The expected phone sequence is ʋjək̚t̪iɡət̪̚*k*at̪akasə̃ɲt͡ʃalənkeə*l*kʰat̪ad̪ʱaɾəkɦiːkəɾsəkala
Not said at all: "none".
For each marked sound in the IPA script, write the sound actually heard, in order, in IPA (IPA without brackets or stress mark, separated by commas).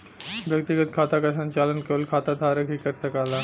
kʰ, l